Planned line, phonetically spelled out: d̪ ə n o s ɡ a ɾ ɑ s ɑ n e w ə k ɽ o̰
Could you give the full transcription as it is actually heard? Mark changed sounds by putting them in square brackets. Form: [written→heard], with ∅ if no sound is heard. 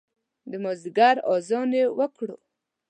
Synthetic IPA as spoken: d̪ ə [n→m] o [s→z] ɡ a ɾ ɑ [s→z] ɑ n e w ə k ɽ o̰